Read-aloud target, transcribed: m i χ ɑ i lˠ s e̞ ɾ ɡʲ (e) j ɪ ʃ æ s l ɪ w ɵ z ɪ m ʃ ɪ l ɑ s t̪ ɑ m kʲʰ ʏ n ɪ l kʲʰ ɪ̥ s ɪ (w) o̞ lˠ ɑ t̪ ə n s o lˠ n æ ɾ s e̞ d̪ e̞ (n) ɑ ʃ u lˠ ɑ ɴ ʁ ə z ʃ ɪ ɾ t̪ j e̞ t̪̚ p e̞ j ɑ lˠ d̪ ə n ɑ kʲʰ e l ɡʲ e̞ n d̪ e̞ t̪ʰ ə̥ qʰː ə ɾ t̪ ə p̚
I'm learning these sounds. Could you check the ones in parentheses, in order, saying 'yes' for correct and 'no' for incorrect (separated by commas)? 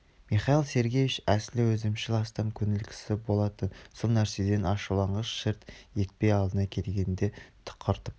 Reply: yes, no, yes